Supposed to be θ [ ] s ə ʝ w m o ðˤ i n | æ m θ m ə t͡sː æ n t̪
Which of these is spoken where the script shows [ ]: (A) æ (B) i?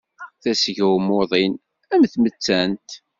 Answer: A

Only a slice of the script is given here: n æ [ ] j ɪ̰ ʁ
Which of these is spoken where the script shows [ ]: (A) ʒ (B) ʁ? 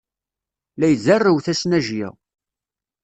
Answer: A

